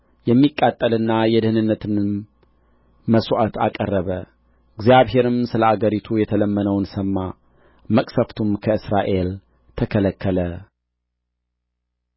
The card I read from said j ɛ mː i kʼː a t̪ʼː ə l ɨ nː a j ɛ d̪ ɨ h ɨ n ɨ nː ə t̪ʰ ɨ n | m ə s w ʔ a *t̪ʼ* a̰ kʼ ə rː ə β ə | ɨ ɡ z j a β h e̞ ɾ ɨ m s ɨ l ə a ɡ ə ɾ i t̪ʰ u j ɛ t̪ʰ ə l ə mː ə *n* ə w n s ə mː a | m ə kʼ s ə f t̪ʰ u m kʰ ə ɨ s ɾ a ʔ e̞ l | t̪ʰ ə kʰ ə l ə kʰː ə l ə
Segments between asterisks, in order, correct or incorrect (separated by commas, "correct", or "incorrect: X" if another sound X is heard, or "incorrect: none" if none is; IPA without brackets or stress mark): incorrect: t̪, correct